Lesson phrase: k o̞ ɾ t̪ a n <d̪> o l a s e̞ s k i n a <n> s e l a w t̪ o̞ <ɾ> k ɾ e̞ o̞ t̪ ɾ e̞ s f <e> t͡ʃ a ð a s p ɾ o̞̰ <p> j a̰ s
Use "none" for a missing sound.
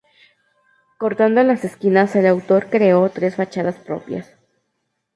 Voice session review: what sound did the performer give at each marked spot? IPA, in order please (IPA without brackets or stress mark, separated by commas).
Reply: d̪, none, ɾ, a, p